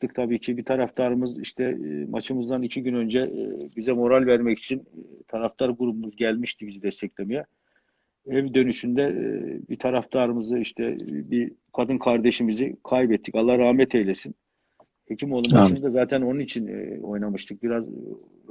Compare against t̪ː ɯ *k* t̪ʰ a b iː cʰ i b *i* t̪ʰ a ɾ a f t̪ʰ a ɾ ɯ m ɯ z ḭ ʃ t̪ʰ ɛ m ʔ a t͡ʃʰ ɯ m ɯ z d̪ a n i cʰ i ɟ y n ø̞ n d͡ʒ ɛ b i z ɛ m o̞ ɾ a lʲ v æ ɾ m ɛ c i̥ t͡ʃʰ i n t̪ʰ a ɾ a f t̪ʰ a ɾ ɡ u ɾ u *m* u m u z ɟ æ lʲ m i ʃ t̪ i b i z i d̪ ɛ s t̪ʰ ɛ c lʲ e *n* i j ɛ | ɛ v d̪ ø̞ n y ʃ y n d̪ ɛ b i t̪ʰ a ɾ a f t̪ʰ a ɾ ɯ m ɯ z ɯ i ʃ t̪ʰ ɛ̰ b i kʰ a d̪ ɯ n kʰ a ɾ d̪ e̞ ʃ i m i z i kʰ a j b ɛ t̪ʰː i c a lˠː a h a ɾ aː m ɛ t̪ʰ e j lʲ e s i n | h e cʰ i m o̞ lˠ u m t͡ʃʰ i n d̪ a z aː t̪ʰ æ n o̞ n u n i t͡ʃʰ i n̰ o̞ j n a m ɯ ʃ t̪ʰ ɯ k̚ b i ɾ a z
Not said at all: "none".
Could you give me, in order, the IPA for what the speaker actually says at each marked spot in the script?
k, i, b, m

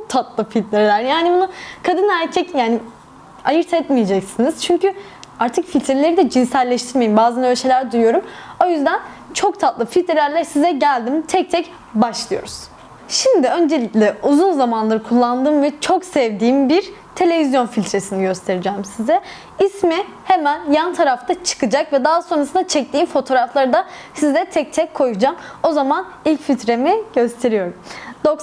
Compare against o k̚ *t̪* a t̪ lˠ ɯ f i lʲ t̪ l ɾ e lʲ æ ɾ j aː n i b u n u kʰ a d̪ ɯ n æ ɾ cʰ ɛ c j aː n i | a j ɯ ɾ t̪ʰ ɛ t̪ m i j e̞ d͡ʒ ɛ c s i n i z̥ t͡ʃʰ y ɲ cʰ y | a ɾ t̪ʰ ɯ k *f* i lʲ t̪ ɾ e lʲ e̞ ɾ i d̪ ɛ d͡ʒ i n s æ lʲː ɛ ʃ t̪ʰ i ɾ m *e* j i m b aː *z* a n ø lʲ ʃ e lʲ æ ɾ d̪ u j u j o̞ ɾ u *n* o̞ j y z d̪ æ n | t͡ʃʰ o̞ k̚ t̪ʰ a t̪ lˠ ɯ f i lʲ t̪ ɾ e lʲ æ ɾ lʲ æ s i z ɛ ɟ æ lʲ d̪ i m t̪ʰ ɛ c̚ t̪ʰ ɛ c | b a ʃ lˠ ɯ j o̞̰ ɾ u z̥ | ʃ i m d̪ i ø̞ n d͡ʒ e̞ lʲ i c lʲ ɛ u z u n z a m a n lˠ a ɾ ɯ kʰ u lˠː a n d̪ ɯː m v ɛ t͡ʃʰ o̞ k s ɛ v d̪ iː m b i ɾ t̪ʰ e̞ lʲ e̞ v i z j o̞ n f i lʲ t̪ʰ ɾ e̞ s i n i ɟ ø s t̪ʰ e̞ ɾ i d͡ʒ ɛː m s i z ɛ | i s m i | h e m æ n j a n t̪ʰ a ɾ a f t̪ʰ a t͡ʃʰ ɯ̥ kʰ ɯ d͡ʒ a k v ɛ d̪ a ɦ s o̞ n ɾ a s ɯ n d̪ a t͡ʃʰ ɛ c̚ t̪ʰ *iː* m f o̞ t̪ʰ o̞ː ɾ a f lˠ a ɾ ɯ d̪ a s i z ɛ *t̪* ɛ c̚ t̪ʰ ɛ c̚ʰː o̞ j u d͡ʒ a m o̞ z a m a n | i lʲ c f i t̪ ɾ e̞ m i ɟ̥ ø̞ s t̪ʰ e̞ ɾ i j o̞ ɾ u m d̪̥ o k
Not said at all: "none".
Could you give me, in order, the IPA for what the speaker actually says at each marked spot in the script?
t̪ʰ, f, e, z, m, iː, t̪ʰ

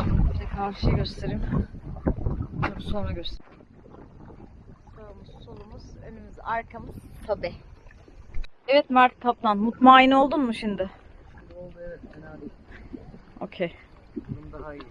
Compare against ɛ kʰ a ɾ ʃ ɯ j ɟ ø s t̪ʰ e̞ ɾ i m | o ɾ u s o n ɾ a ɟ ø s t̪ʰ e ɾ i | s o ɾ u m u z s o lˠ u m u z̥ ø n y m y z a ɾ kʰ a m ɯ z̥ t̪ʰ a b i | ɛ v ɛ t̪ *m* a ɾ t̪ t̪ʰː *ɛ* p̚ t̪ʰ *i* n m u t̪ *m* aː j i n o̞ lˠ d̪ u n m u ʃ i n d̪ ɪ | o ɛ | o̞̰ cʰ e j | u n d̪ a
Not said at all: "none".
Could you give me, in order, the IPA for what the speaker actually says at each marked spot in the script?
m, a, a, m

